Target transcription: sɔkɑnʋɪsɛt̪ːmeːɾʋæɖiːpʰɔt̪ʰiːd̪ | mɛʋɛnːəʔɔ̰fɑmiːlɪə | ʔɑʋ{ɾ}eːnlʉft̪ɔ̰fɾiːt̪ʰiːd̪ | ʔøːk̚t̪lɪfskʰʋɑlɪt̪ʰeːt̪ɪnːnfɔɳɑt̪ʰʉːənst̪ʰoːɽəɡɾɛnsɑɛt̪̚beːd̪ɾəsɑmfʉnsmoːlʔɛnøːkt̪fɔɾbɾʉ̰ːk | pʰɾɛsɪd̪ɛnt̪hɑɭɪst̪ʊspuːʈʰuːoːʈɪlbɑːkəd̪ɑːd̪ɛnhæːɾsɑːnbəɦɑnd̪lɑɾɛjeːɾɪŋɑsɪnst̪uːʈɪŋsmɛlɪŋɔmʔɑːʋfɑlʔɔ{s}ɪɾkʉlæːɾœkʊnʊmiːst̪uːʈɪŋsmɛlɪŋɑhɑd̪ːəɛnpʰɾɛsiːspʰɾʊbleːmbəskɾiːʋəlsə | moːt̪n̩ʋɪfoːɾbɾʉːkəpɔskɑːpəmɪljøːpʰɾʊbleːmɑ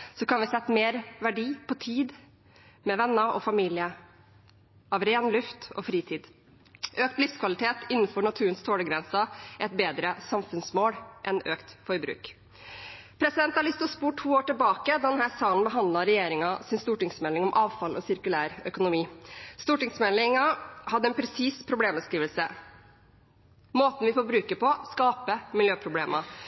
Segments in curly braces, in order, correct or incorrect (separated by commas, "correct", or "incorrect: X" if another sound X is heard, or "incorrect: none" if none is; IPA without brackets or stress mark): correct, correct